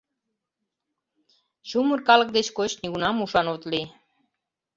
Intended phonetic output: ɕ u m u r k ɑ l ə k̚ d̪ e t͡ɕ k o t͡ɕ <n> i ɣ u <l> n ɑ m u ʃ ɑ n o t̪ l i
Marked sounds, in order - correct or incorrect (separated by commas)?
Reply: correct, incorrect